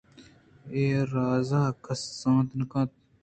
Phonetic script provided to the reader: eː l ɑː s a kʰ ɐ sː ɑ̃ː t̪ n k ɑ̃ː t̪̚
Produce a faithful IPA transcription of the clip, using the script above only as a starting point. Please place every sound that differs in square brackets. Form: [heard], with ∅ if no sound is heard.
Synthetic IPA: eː [ɾ] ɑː [z] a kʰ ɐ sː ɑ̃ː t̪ n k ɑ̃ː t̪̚

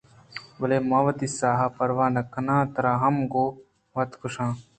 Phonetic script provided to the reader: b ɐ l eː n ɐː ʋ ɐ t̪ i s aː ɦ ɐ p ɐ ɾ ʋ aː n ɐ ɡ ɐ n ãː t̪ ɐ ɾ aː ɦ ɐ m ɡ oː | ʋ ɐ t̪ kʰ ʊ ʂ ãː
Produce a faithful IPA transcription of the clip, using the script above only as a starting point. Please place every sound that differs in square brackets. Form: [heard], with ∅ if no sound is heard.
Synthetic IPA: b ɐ l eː [m] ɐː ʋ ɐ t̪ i s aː ɦ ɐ p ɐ ɾ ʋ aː n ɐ [k] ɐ n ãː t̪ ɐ ɾ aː ɦ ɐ m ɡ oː | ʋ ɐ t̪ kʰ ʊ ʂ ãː

